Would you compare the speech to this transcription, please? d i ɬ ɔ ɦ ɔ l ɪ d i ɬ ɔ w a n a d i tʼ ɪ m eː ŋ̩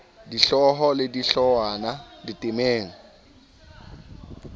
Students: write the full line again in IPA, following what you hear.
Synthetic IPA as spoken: d i ɬ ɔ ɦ ɔ l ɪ d i ɬ ɔ w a n a d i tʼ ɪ m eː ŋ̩